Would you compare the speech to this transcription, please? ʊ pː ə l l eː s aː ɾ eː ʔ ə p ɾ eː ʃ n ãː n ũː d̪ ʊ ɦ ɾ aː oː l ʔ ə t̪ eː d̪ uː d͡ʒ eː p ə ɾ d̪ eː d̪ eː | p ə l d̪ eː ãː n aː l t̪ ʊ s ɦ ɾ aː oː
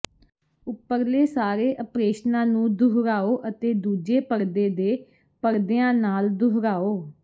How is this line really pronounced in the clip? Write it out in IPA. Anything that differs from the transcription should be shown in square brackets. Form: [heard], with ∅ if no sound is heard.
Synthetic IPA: ʊ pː ə [ɾ] l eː s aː ɾ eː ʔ ə p ɾ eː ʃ n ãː n ũː d̪ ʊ ɦ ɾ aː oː [∅] ʔ ə t̪ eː d̪ uː d͡ʒ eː p ə ɾ d̪ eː d̪ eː | p ə [ɾ] d̪ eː ãː n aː l [d̪] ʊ [∅] ɦ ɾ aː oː

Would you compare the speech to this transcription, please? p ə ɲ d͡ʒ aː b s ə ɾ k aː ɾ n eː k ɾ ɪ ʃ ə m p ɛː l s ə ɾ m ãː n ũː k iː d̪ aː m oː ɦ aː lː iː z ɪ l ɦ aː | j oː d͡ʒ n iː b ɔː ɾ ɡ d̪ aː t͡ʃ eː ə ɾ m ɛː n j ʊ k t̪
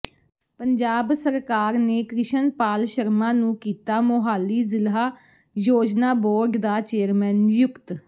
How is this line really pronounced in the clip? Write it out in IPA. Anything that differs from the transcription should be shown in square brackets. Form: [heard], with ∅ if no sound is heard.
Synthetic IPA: p ə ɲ d͡ʒ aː b s ə ɾ k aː ɾ n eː k ɾ ɪ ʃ ə [n] p [aː] l [ʃ] ə ɾ m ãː n ũː k iː [t̪] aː m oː ɦ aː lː iː z ɪ l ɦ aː | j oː d͡ʒ n [aː] b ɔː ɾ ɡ d̪ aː t͡ʃ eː ə ɾ m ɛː n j ʊ k t̪

